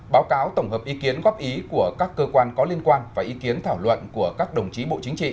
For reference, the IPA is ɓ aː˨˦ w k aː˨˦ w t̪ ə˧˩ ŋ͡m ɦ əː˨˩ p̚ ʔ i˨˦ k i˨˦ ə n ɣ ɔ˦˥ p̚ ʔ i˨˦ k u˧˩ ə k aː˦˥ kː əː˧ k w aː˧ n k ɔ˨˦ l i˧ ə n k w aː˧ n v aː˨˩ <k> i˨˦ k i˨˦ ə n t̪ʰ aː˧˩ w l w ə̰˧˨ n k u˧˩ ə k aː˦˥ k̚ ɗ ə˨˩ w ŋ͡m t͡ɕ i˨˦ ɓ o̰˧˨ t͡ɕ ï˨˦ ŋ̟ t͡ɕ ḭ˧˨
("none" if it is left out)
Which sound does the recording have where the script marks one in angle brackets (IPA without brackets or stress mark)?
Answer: ʔ